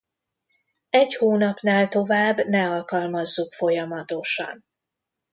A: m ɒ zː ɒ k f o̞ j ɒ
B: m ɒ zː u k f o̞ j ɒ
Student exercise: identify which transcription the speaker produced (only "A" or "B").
B